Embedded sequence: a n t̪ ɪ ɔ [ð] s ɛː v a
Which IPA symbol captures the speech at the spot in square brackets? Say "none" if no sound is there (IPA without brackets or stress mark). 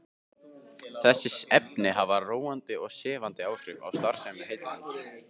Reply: ɣ